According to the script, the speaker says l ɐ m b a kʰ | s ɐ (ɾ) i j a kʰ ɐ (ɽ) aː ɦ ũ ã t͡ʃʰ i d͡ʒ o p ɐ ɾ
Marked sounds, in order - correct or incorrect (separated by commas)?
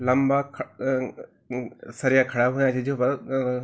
correct, correct